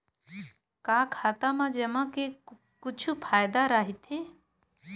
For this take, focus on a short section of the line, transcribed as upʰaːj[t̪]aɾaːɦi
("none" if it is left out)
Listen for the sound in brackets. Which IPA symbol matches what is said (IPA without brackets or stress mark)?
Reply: d̪